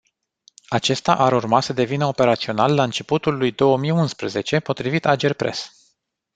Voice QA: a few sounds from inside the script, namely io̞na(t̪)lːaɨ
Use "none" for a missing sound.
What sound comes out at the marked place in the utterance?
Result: none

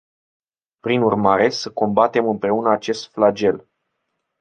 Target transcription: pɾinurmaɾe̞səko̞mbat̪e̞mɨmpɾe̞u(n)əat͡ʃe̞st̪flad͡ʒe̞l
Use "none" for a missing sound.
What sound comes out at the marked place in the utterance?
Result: n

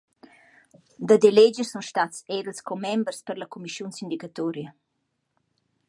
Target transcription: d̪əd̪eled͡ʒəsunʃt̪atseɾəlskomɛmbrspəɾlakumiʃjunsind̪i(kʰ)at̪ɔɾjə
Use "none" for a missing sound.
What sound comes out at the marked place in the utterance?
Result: k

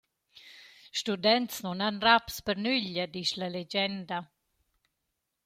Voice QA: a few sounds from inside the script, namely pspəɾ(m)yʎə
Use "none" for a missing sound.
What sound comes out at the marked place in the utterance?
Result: n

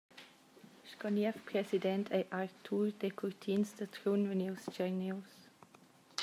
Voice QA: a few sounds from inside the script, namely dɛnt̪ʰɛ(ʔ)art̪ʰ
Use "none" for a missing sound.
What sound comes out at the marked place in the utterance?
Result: ʔ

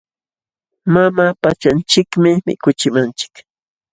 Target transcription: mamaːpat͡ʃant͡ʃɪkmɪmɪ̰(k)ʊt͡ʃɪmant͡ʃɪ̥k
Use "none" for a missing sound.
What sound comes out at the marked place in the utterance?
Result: k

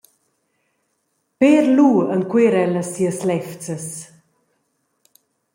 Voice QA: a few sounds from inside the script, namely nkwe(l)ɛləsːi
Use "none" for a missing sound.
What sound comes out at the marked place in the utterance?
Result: ɾ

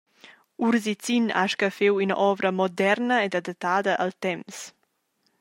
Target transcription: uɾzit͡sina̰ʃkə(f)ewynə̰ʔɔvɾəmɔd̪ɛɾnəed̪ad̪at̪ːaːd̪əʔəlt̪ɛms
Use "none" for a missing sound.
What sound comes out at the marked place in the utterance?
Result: f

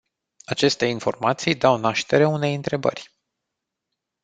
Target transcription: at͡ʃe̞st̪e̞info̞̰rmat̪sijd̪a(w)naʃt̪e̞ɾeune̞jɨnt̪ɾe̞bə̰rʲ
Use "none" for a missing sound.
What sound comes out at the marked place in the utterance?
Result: w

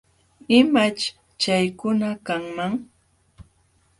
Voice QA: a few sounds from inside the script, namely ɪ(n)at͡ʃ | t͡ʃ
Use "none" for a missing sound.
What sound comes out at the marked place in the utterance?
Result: m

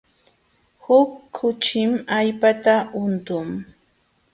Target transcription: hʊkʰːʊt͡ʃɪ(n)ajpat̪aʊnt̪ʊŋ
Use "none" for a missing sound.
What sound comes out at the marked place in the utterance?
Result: m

